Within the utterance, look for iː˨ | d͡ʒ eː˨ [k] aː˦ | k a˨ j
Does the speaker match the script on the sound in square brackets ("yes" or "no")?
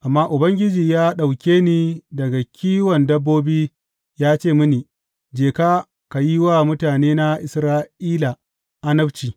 yes